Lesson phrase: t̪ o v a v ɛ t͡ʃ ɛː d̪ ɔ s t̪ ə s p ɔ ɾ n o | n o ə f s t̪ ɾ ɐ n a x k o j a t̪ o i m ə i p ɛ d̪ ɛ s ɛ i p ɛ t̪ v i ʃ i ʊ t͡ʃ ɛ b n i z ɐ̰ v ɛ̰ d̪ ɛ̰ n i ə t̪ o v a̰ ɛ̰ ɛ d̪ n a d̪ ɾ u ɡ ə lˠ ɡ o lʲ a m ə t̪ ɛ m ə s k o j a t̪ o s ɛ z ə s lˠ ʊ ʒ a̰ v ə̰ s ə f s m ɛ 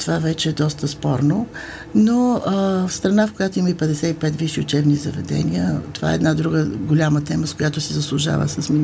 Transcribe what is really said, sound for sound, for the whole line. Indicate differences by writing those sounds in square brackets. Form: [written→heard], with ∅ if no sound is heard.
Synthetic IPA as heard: t̪ o v a v ɛ t͡ʃ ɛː d̪ ɔ s t̪ ə s p ɔ ɾ n o | n o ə f s t̪ ɾ ɐ n a [x→f] k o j a t̪ o i m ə i p ɛ d̪ ɛ s ɛ i p ɛ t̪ v i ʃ i ʊ t͡ʃ ɛ b n i z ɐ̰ v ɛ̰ d̪ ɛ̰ n i ə t̪ o v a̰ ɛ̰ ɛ d̪ n a d̪ ɾ u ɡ ə [lˠ→∅] ɡ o lʲ a m ə t̪ ɛ m ə s k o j a t̪ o s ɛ z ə s lˠ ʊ ʒ a̰ v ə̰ s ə [f→∅] s m [ɛ→i]